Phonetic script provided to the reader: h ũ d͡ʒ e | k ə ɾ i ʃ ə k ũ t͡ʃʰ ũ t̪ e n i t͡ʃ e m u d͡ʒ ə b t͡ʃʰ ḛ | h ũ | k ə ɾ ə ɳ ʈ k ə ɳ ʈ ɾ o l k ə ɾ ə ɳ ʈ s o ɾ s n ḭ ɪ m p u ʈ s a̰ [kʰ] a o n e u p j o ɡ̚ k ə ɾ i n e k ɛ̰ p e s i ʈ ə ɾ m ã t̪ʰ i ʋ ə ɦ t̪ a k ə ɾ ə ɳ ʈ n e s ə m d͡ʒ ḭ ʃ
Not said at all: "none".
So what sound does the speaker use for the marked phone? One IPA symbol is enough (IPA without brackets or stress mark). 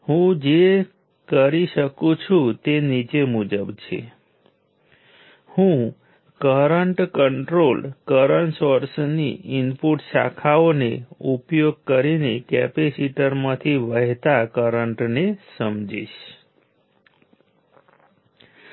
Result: kʰ